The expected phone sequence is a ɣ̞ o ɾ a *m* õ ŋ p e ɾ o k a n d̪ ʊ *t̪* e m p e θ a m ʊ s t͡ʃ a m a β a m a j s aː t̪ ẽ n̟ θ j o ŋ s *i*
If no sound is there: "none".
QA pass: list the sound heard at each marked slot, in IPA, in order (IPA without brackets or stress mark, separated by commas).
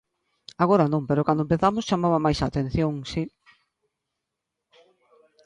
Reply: n, none, i